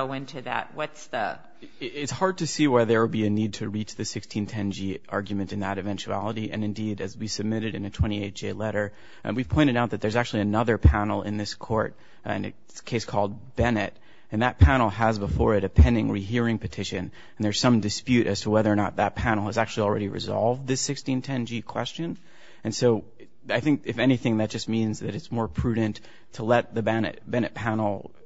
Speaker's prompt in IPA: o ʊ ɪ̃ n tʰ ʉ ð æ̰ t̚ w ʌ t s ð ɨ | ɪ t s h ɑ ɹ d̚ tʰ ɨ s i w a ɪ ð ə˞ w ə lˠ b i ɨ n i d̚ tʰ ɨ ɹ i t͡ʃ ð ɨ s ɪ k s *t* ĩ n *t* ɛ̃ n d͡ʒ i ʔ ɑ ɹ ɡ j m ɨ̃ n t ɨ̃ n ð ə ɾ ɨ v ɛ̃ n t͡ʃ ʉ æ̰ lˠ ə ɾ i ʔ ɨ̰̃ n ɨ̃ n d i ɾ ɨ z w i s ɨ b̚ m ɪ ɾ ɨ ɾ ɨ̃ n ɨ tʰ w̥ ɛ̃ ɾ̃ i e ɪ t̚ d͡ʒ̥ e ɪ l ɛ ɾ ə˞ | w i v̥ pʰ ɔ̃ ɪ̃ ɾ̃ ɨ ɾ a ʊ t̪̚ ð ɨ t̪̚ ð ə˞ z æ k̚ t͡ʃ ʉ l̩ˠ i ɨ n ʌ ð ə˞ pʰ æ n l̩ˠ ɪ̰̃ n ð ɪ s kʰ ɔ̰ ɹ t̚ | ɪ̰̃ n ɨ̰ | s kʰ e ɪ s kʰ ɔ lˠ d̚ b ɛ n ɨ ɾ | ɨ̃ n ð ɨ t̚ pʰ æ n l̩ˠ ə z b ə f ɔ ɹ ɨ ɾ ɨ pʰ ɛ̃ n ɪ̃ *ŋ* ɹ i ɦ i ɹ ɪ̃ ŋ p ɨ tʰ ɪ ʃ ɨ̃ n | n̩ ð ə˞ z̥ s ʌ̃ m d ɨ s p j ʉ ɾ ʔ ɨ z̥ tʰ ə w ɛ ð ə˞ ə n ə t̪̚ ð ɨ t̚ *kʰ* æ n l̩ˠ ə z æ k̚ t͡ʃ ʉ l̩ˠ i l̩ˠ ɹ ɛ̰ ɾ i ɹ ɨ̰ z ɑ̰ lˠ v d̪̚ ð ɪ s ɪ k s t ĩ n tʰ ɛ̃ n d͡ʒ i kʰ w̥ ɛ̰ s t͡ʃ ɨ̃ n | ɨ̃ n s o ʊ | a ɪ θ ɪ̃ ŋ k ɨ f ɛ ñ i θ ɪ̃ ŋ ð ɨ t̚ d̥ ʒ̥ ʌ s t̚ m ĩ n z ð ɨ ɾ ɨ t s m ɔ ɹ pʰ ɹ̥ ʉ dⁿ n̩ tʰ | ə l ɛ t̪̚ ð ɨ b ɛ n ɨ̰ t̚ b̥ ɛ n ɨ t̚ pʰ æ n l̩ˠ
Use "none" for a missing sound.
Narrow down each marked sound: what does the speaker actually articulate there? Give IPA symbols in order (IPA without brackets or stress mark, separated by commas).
tʰ, tʰ, ŋ, pʰ